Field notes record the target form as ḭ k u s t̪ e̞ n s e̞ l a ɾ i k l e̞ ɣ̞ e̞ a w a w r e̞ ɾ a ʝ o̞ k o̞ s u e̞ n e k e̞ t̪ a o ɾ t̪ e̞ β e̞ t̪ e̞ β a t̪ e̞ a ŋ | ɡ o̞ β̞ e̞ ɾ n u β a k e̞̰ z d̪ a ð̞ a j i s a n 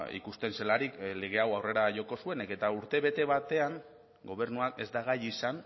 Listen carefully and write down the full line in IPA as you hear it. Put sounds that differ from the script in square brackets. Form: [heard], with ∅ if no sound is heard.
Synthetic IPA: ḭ k u s t̪ e̞ n s e̞ l a ɾ i k l e̞ ɣ̞ e̞ a w a w r e̞ ɾ a ʝ o̞ k o̞ s u e̞ n e k e̞ t̪ a [u] ɾ t̪ e̞ β e̞ t̪ e̞ β a t̪ e̞ a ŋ | ɡ o̞ β̞ e̞ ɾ n u [∅] a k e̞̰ z d̪ a [ɣ̞] a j i s a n